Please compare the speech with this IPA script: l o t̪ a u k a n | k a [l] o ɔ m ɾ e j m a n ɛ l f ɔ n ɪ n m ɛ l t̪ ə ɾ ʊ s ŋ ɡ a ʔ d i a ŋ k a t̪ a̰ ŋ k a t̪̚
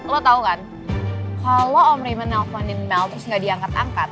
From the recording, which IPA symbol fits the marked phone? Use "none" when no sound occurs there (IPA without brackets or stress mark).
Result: l